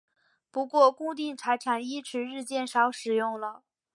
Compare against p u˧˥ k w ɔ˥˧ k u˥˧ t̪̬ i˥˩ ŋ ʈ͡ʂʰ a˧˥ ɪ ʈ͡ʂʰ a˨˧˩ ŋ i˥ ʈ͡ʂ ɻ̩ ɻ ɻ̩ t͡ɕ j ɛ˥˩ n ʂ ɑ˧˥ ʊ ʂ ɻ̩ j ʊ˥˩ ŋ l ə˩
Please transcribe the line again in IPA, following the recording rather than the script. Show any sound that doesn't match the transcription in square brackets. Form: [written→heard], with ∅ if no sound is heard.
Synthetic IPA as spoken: p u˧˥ k w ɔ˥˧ k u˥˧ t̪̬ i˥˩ ŋ ʈ͡ʂʰ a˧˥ ɪ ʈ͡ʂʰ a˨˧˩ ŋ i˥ [ʈ͡ʂ→ʈ͡ʂʰ] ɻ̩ ɻ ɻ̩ t͡ɕ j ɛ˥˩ n ʂ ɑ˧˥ ʊ ʂ ɻ̩ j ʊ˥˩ ŋ l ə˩